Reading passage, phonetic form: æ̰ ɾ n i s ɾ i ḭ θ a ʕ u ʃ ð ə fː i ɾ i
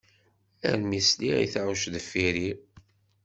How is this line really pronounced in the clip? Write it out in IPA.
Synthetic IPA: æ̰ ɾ m i s l i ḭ θ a ʕ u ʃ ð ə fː i ɾ i